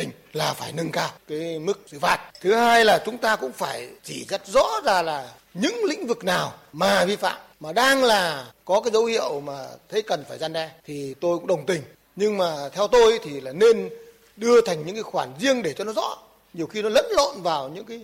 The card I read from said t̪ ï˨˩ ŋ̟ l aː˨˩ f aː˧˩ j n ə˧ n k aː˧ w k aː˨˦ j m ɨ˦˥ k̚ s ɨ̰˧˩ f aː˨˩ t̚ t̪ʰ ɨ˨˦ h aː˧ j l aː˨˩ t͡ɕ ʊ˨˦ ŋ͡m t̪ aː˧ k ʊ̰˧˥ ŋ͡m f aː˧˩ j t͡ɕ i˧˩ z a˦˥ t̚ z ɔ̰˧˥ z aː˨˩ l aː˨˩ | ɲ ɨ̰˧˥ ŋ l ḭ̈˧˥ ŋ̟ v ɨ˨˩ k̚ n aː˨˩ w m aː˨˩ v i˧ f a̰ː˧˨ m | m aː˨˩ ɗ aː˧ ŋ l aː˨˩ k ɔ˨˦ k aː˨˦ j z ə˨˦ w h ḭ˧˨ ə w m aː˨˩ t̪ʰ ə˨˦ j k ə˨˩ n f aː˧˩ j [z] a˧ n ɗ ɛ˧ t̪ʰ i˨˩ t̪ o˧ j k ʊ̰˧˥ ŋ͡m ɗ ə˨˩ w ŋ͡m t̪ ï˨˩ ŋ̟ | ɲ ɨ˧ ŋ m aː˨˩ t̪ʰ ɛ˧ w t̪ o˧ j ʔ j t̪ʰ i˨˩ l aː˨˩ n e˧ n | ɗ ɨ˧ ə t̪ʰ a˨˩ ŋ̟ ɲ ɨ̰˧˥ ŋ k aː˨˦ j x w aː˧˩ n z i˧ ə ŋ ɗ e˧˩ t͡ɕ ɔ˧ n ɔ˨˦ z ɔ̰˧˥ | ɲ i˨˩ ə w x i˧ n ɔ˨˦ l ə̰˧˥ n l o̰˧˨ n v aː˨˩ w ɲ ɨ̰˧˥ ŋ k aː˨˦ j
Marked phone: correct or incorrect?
correct